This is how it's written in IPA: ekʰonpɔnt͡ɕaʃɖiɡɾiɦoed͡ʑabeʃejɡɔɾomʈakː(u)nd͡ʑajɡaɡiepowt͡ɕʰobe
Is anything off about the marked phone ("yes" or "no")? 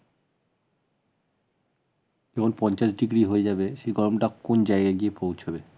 yes